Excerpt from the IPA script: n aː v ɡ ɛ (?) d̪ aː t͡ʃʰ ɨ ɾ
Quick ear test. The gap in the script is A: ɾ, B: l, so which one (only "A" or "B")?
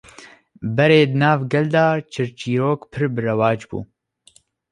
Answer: B